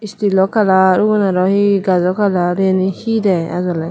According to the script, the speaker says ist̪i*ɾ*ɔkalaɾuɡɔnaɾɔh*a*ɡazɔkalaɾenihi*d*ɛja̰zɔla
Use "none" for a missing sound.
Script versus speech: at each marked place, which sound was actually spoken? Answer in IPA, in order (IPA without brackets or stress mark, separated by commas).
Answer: l, i, d